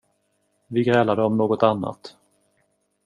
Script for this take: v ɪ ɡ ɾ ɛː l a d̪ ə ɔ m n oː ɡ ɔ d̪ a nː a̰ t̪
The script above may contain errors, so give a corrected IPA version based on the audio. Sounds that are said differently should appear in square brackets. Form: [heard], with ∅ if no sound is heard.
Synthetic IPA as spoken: v ɪ ɡ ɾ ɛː l a d̪ ə ɔ m n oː ɡ ɔ [t̪] a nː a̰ t̪